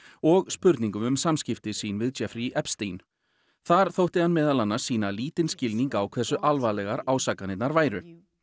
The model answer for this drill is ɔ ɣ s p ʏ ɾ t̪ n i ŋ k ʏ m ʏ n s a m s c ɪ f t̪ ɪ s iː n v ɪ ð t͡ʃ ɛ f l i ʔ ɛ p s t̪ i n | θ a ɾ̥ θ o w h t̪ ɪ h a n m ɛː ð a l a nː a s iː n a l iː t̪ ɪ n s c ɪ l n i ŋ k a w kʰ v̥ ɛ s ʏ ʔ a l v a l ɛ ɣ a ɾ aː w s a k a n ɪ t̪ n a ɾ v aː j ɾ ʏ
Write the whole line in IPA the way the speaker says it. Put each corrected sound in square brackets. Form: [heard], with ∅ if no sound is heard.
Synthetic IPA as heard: ɔ ɣ s p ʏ ɾ t̪ n i ŋ k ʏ m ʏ [m] s a m s c ɪ f t̪ ɪ s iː n v ɪ ð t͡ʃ ɛ f [ɾ] i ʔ ɛ p s t̪ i n | θ a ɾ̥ θ o w h t̪ ɪ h a n m ɛː ð a l a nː a s iː n a l iː t̪ ɪ n s c ɪ l n i ŋ k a w kʰ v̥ ɛ s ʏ ʔ a l v a l ɛ ɣ a ɾ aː w s a k a n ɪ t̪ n a ɾ v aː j ɾ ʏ